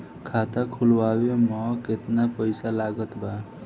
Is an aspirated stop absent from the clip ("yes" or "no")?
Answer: no